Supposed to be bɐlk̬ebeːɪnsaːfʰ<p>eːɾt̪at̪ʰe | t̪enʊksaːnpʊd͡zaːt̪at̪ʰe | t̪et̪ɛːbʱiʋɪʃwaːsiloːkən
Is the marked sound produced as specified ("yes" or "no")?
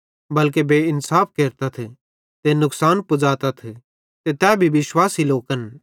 no